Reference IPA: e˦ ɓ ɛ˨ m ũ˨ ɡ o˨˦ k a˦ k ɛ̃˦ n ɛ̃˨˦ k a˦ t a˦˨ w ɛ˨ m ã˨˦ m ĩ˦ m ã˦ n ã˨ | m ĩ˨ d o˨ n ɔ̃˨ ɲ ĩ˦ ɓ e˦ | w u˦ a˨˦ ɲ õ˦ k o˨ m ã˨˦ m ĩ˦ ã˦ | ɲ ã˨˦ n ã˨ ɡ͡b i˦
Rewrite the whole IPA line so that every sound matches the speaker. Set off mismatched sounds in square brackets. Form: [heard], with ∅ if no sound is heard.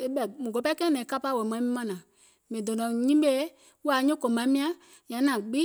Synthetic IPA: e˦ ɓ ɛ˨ m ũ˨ ɡ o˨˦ [p] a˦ k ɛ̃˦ n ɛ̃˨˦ k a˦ [p] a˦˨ w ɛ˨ m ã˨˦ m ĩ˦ m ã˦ n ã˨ | m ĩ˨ d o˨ n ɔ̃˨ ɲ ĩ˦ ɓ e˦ | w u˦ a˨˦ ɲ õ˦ k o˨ m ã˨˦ m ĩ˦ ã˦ | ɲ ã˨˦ n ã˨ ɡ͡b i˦